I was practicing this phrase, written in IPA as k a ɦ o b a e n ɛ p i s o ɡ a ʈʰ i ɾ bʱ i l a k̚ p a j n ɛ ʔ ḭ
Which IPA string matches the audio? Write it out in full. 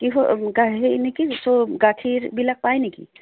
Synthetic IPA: k i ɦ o ɡ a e n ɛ k i s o ɡ a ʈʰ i ɾ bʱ i l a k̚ p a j n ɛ k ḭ